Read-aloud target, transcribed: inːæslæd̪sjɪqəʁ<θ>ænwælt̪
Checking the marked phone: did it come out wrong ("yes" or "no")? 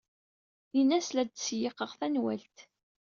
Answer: no